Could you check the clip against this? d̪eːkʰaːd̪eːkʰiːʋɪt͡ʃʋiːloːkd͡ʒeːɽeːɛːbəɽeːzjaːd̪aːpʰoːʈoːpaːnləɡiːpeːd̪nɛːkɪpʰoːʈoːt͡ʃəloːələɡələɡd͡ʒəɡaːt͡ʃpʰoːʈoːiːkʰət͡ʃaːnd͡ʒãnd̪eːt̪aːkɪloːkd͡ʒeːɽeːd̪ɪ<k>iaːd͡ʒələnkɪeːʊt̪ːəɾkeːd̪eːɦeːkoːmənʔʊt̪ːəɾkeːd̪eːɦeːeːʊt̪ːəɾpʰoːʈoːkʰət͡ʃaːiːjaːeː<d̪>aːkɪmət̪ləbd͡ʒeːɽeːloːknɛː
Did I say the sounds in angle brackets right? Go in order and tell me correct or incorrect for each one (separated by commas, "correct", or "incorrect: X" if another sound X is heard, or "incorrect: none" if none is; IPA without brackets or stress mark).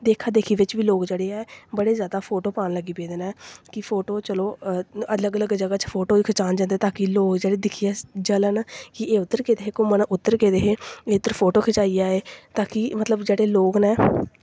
incorrect: kʰ, incorrect: t̪